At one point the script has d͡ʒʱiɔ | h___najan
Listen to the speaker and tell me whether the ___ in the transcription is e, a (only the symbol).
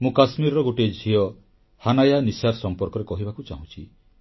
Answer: a